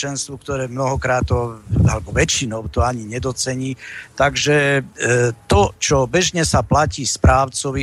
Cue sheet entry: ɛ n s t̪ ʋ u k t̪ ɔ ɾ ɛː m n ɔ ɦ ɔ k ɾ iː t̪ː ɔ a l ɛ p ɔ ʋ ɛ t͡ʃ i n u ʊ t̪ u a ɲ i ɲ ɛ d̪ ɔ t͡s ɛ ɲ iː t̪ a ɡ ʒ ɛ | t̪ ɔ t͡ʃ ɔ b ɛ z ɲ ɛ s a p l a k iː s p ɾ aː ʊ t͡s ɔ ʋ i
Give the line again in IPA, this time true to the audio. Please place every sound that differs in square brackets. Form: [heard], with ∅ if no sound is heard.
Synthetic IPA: ɛ n s t̪ ʋ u k t̪ ɔ ɾ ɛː m n ɔ ɦ ɔ k ɾ [aː] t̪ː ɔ a l ɛ [b] ɔ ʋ ɛ t͡ʃ i n [ɔ] ʊ t̪ [ɔ] a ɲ i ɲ ɛ d̪ ɔ t͡s ɛ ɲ iː t̪ a ɡ ʒ ɛ | t̪ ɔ t͡ʃ ɔ b ɛ [ʒ] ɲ ɛ s a p l a [c] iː s p ɾ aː ʊ t͡s ɔ ʋ i